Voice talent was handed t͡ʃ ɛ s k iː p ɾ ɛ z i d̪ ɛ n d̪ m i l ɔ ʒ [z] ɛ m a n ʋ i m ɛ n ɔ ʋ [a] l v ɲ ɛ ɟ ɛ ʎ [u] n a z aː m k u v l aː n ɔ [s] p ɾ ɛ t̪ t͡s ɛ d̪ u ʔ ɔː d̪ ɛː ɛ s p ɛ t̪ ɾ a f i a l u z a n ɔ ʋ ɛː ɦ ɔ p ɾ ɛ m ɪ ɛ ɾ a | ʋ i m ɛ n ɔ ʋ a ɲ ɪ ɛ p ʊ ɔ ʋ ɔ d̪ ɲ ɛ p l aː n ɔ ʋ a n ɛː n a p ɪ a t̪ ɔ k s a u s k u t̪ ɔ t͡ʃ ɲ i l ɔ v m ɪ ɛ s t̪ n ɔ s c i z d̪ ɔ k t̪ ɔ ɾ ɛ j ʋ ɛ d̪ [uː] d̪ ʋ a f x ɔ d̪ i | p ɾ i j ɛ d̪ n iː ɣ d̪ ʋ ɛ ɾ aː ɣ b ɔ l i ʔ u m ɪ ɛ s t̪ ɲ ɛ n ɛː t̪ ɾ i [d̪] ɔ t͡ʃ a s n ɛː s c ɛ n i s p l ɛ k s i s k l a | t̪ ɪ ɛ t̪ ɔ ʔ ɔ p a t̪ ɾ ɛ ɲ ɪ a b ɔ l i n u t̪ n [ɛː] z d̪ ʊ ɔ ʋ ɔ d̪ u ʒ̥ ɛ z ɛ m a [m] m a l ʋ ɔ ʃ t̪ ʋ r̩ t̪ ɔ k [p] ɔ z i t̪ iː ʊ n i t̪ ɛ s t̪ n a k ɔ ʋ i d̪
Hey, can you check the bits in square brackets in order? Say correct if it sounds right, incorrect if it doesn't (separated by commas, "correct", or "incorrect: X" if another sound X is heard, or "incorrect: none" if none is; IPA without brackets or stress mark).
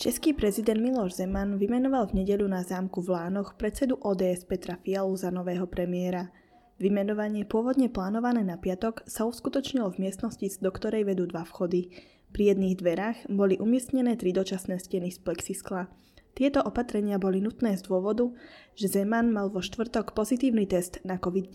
correct, correct, correct, incorrect: x, correct, correct, correct, incorrect: n, correct